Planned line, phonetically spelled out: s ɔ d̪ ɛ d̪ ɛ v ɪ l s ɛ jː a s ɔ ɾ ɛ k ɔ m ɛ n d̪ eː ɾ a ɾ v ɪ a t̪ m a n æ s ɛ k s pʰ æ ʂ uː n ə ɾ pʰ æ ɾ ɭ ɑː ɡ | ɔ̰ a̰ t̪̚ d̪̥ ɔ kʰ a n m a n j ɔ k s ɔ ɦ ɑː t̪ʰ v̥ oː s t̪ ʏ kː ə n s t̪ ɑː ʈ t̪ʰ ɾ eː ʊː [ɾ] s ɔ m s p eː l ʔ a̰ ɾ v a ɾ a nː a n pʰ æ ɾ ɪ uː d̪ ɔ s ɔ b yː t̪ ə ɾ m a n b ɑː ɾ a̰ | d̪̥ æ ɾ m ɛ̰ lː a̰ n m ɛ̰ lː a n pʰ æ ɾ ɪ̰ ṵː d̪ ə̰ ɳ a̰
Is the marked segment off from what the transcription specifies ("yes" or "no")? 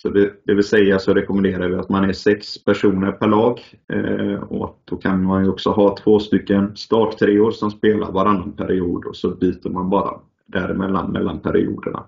no